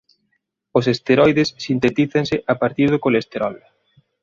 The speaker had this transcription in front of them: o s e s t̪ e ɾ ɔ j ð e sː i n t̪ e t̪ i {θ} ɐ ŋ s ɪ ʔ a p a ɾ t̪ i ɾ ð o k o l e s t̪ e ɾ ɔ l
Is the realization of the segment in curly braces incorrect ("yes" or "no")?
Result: no